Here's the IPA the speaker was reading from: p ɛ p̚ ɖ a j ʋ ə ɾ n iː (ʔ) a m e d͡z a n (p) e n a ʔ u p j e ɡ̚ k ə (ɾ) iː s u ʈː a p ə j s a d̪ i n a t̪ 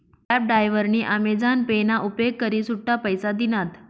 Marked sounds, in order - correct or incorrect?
correct, correct, correct

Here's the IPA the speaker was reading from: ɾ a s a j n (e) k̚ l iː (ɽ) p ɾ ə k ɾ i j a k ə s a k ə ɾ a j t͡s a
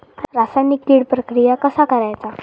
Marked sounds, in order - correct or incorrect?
incorrect: i, correct

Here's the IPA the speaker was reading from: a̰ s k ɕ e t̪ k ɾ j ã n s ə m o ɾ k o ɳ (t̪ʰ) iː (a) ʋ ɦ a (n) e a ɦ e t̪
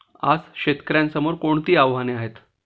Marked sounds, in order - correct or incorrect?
incorrect: t̪, correct, correct

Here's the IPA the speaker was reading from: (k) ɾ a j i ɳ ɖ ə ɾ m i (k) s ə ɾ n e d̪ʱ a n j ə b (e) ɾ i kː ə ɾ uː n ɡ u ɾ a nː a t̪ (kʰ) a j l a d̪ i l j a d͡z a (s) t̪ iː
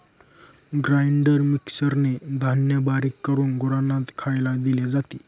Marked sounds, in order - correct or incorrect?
incorrect: ɡ, correct, incorrect: a, correct, incorrect: none

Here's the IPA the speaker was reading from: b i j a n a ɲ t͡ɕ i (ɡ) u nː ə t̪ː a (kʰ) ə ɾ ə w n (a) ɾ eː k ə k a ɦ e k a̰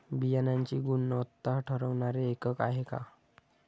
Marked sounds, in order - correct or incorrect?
correct, incorrect: ʈʰ, correct

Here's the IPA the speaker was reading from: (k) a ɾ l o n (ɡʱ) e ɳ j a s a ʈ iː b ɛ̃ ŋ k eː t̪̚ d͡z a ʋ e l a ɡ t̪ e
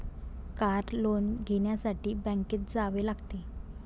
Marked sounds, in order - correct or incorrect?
correct, correct

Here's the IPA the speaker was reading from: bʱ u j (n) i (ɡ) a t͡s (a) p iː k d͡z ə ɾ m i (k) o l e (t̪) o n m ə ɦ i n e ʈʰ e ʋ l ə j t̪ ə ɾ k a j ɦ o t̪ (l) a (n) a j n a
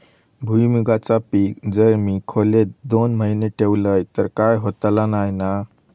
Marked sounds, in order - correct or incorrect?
incorrect: m, correct, correct, incorrect: kʰ, incorrect: d̪, correct, correct

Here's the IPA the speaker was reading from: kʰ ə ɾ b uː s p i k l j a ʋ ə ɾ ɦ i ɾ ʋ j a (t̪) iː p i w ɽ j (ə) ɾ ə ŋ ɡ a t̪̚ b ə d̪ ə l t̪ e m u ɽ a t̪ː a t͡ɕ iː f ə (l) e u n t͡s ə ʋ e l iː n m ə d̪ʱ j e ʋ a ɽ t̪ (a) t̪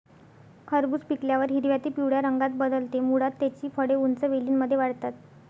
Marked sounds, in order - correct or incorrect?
correct, incorrect: a, incorrect: ɽ, correct

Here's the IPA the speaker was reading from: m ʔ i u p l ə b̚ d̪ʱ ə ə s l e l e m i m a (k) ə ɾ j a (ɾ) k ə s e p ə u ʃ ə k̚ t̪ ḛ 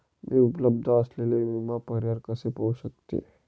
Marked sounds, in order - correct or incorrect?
incorrect: p, correct

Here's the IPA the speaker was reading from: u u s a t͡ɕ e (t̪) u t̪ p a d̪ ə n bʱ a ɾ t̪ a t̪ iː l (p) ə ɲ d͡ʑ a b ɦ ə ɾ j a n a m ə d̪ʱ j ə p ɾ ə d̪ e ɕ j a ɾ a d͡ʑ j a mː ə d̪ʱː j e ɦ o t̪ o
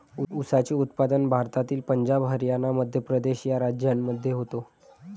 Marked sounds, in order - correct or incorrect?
incorrect: none, correct

